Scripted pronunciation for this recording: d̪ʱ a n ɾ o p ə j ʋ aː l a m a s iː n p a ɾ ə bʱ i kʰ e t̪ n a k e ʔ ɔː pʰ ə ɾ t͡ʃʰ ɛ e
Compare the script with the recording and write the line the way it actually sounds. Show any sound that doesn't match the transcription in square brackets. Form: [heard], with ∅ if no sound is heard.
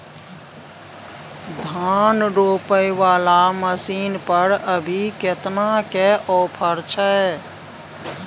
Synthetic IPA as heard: d̪ʱ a n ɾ o p ə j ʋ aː l a m [ə] s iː n p [ə] ɾ ə bʱ i [k] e t̪ n a k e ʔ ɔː pʰ ə ɾ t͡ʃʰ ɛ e